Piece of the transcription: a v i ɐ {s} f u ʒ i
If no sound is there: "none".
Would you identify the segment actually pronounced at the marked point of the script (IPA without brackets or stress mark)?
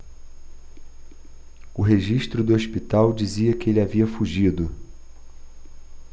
none